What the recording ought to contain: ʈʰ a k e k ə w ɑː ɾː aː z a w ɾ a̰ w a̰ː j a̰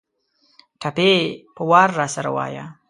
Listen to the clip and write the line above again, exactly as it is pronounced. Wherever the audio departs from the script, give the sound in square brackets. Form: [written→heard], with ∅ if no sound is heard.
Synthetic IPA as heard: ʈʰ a [k→p] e [k→p] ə w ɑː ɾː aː [z→s] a [w→∅] ɾ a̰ w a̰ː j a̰